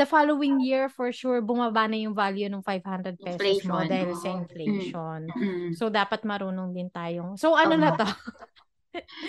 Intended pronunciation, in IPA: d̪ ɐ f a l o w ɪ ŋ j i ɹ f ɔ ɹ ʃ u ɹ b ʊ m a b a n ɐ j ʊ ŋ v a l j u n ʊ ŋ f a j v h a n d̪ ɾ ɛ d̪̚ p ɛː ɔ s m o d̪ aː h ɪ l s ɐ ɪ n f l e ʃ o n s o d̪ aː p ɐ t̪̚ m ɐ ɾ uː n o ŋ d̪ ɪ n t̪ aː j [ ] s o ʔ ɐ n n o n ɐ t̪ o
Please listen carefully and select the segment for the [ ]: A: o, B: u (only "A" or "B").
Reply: A